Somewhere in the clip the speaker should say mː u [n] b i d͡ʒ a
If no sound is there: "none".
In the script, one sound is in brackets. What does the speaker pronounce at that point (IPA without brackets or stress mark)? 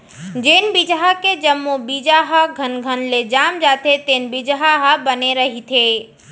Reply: none